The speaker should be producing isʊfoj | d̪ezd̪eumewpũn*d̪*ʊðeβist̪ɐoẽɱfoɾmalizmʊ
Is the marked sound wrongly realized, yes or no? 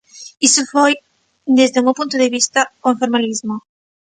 yes